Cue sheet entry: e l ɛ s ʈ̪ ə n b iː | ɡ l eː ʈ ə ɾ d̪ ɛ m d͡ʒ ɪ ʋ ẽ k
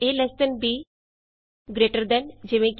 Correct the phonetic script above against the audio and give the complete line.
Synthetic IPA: e l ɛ s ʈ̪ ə n b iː | ɡ ɾ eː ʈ ə ɾ d̪ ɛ n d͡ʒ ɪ ʋ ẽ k